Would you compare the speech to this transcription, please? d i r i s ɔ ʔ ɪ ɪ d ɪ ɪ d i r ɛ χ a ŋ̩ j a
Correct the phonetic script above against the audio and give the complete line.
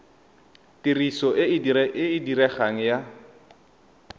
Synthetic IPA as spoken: t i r i s ɔ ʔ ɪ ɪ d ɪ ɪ d i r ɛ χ a ŋ̩ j a